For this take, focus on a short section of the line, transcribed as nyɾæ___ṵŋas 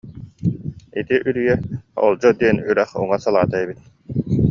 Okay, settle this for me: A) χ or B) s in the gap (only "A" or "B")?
A